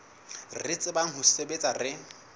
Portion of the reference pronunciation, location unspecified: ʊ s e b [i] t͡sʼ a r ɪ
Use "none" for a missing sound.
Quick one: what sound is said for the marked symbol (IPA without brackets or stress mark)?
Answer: e